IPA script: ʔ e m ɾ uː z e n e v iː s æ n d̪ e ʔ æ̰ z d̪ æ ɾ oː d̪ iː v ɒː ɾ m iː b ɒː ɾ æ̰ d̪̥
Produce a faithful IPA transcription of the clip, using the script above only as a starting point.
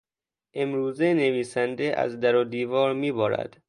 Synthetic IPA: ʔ e m ɾ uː z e n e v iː s æ n d̪ e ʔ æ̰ z d̪ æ ɾ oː d̪ iː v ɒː ɾ m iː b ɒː ɾ æ̰ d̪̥